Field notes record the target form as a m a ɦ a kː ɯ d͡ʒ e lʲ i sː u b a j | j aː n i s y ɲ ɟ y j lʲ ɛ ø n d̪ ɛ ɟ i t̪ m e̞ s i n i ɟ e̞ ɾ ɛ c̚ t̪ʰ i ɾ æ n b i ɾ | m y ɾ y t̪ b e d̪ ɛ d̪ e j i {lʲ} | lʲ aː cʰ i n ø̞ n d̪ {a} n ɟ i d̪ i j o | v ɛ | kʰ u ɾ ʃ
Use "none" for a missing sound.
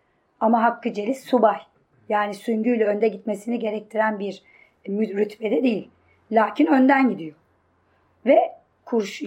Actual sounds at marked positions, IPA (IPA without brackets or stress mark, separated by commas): lʲ, æ